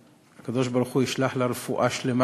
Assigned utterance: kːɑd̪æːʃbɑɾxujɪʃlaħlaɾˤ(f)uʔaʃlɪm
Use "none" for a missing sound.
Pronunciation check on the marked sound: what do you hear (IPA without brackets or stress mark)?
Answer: f